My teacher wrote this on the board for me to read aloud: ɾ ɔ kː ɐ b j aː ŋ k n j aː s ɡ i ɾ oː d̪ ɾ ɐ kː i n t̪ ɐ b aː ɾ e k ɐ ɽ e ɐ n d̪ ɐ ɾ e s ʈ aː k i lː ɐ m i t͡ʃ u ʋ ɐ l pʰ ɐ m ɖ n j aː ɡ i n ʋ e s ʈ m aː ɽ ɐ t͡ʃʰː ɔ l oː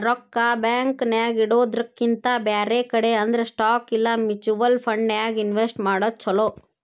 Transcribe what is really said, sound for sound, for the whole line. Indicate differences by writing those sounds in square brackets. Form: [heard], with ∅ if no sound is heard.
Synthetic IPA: ɾ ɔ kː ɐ b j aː ŋ k n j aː [∅] ɡ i [ɽ] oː d̪ ɾ ɐ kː i n t̪ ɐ b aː ɾ e k ɐ ɽ e ɐ n d̪ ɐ ɾ e s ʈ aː k i lː ɐ m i t͡ʃ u ʋ ɐ l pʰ ɐ [ɳ] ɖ n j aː ɡ i n ʋ e s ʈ m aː ɽ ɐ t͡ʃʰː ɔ l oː